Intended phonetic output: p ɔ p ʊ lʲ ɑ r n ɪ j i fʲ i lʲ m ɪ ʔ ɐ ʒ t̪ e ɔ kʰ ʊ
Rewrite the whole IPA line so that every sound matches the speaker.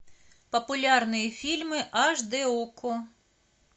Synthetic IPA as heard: p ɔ p ʊ lʲ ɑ r n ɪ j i fʲ i lʲ m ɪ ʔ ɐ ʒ d̪ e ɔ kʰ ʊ